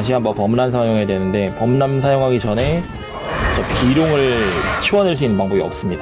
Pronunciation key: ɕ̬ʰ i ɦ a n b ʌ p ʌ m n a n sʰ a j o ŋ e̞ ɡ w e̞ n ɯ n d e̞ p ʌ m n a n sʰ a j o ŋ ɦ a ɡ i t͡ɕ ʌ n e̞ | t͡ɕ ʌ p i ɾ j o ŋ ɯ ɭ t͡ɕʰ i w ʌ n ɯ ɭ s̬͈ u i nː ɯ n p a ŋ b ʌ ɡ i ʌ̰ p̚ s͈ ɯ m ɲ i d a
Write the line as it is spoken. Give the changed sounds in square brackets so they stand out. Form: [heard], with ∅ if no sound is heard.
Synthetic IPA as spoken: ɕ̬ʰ i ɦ a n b ʌ p ʌ m n a n sʰ a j o ŋ e̞ [d] w e̞ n ɯ n d e̞ p ʌ m n a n sʰ a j o ŋ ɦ a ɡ i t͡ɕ ʌ n e̞ | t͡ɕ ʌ p i ɾ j o ŋ ɯ ɭ t͡ɕʰ i w ʌ n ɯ ɭ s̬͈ u i nː ɯ n p a ŋ b ʌ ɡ i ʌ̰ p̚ s͈ ɯ m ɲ i d a